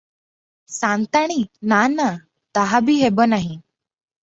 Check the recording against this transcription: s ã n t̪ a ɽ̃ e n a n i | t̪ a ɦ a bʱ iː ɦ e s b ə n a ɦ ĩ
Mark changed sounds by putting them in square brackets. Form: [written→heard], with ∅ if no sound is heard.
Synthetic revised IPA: s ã n t̪ a ɽ̃ [e→i] n a n [i→a] | t̪ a ɦ a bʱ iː ɦ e [s→∅] b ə n a ɦ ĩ

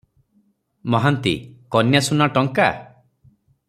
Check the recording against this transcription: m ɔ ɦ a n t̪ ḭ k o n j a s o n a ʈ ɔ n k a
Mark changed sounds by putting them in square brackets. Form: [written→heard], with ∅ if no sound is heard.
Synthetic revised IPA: m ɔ ɦ a n t̪ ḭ k [o→ɔ] n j a s [o→u] n a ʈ ɔ [n→ŋ] k a

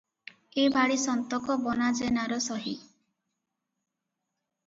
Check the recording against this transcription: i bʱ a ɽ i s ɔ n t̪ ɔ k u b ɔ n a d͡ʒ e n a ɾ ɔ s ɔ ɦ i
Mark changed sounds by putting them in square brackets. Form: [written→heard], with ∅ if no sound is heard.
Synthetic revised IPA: [i→e] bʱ a ɽ i s ɔ n t̪ ɔ k [u→ɔ] b ɔ n a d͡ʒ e n a ɾ ɔ s ɔ ɦ i

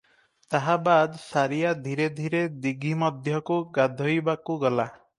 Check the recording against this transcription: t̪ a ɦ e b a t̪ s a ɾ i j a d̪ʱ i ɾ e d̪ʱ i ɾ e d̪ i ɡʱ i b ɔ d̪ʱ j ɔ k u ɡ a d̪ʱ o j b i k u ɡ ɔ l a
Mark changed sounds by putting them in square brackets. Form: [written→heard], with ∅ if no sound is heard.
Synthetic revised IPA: t̪ a ɦ [e→a] b a [t̪→d̪] s a ɾ i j a d̪ʱ i ɾ e d̪ʱ i ɾ e d̪ i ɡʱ i [b→m] ɔ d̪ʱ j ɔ k u ɡ a d̪ʱ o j b [i→a] k u ɡ ɔ l a

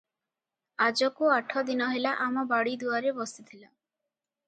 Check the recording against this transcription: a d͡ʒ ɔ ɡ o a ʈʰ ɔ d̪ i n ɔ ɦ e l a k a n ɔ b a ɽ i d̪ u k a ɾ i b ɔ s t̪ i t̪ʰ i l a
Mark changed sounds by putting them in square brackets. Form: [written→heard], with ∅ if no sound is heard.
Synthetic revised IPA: a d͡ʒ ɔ [ɡ→k] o a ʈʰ ɔ d̪ i n ɔ ɦ e l a [k→ʔ] a [n→m] ɔ b a ɽ i d̪ u [k→∅] a ɾ [i→e] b ɔ s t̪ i t̪ʰ i l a

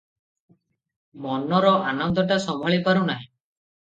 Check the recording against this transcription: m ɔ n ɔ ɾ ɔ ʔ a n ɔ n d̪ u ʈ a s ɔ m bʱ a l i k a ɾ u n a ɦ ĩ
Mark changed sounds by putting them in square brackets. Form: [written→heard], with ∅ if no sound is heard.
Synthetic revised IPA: m ɔ n ɔ ɾ ɔ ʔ a n ɔ n d̪ [u→ɔ] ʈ a s ɔ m bʱ a [l→ɭ] i [k→p] a ɾ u n a ɦ ĩ

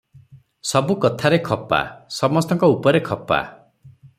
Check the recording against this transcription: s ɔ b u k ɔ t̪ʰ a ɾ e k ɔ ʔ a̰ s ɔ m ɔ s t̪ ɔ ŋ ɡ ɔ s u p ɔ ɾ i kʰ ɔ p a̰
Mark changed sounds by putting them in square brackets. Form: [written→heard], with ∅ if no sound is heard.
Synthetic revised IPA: s ɔ b u k ɔ t̪ʰ a ɾ e [k→kʰ] ɔ [ʔ→p] a̰ s ɔ m ɔ s t̪ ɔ ŋ [ɡ→k] ɔ [s→∅] u p ɔ ɾ [i→e] kʰ ɔ p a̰

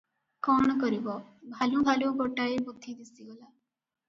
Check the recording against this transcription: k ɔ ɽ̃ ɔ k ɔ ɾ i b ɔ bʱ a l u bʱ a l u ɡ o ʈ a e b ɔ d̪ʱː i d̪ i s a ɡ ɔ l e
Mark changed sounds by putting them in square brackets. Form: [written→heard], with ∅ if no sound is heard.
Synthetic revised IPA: k ɔ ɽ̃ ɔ k ɔ ɾ i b ɔ bʱ a l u bʱ a l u ɡ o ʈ a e b [ɔ→u] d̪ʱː i d̪ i s [a→i] ɡ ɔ l [e→a]

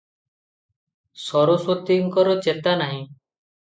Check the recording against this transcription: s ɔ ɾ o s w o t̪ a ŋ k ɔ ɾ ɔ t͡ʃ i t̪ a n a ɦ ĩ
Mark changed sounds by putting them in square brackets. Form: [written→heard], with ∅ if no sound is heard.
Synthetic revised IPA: s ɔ ɾ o s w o t̪ [a→i] ŋ k ɔ ɾ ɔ t͡ʃ [i→e] t̪ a n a ɦ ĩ

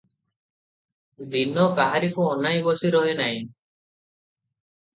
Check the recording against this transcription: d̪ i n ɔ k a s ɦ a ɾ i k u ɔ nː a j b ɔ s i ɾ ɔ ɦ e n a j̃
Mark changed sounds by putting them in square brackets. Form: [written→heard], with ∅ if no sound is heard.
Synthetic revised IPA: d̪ i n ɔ k a [s→∅] ɦ a ɾ i k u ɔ [nː→n] a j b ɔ s i ɾ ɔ ɦ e n a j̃

